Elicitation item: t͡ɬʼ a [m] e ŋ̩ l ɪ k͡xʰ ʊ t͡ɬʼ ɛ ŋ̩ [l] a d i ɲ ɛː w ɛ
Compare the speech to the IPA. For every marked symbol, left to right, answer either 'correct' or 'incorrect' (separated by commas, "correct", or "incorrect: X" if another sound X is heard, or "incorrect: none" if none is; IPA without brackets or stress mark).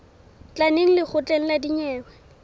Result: incorrect: n, correct